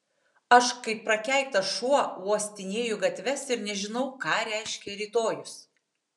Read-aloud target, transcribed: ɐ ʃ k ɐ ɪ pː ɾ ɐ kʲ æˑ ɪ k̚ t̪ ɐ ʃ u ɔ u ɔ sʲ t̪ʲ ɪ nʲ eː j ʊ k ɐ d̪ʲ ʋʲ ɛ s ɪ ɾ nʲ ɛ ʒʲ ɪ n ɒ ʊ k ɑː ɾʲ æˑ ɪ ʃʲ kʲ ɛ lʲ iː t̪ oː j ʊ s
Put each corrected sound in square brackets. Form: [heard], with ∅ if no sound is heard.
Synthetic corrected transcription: ɐ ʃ k ɐ ɪ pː ɾ ɐ kʲ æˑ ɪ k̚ t̪ ɐ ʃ u ɔ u ɔ sʲ t̪ʲ ɪ nʲ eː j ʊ [ɡ] ɐ [t̪ʲ] ʋʲ ɛ s ɪ ɾ nʲ ɛ ʒʲ ɪ n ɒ ʊ k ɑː ɾʲ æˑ ɪ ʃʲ kʲ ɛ [ɾʲ] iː t̪ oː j ʊ s

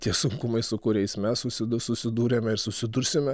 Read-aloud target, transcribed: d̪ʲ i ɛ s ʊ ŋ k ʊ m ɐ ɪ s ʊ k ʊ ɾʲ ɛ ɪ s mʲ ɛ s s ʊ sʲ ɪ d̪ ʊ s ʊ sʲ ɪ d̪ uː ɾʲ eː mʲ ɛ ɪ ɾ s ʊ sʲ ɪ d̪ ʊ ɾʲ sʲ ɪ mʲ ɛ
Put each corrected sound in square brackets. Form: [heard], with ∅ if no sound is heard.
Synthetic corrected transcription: [t̪ʲ] i ɛ s ʊ ŋ k ʊ m ɐ ɪ s ʊ k ʊ ɾʲ ɛ ɪ s mʲ ɛ s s ʊ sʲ ɪ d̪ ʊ s ʊ sʲ ɪ d̪ uː ɾʲ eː mʲ ɛ ɪ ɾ s ʊ sʲ ɪ d̪ ʊ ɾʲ sʲ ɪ mʲ ɛ

